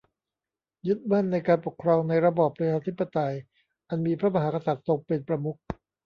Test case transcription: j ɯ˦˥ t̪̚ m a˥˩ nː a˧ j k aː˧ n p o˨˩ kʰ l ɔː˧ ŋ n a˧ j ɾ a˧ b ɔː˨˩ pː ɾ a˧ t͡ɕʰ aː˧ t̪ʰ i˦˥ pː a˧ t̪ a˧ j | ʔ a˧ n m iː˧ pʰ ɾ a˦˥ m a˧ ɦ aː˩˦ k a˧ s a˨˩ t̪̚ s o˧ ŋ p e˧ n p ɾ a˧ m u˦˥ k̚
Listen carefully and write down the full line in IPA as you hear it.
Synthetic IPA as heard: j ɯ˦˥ t̪̚ m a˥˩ nː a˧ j k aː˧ n p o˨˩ kʰ ɾ ɔː˧ ŋ n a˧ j ɾ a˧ b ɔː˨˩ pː ɾ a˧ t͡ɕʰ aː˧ t̪ʰ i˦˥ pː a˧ t̪ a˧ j | ʔ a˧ n m iː˧ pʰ ɾ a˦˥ m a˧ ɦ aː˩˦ k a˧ s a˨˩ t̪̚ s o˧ ŋ p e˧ n p ɾ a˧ m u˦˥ k̚

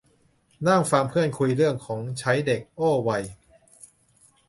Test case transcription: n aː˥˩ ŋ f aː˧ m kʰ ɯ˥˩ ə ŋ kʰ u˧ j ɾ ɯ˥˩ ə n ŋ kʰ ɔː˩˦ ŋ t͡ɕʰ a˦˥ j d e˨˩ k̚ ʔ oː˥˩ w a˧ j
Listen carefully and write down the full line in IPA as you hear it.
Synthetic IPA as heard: n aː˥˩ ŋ f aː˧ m pʰ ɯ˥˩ ə n kʰ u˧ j ɾ ɯ˥˩ ə ŋ kʰ ɔː˩˦ ŋ t͡ɕʰ a˦˥ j d e˨˩ k̚ ʔ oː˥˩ w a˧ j

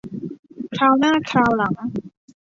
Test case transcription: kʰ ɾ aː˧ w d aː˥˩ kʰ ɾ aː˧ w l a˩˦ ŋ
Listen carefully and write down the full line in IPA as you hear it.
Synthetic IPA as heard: kʰ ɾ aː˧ w n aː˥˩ kʰ ɾ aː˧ w l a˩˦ ŋ

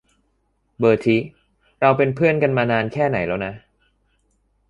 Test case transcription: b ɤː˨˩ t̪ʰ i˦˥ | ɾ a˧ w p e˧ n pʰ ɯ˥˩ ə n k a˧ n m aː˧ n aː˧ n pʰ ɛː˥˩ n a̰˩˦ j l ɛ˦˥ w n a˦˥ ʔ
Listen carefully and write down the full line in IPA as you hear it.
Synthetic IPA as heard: b ɤː˨˩ t̪ʰ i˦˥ | ɾ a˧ w p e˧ n pʰ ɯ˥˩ ə n k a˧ n m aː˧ n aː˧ n kʰ ɛː˥˩ n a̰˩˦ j l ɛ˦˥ w n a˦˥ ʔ

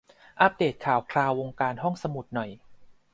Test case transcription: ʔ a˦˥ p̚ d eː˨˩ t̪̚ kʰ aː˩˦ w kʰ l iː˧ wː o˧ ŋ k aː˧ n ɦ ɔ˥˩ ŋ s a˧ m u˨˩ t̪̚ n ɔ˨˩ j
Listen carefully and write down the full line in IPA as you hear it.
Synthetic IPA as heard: ʔ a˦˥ p̚ d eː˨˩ t̪̚ kʰ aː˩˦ w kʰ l aː˧ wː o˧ ŋ k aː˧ n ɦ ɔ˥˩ ŋ s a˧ m u˨˩ t̪̚ n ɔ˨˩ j

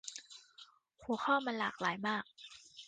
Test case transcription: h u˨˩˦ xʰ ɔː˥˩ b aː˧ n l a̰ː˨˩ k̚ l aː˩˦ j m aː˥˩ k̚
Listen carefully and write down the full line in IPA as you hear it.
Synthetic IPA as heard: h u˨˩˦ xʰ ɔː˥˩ m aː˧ n l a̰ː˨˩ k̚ l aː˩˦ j m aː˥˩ k̚

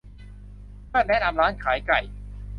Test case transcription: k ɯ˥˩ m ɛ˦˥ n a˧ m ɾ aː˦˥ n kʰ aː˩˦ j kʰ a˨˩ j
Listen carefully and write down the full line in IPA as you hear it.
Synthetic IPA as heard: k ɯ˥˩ n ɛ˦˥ n a˧ m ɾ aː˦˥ n kʰ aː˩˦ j k a˨˩ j

